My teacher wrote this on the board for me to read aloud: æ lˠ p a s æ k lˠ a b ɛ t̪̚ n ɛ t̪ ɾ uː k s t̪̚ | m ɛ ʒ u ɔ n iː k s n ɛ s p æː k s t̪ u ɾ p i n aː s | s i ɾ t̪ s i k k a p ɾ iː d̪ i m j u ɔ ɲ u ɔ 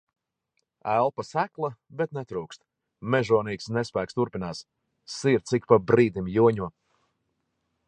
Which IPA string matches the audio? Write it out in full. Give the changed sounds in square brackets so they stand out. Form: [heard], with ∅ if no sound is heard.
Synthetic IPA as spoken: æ lˠ p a s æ k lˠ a b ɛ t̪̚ n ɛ t̪ ɾ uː k s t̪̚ | m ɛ ʒ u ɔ n iː k s n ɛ s p æː k s t̪ u ɾ p i n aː s | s i ɾ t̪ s i k [p] a [b] ɾ iː d̪ i m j u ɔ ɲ u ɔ